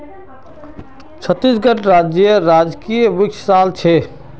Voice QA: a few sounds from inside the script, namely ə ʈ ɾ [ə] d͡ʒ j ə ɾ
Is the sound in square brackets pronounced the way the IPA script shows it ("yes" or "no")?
no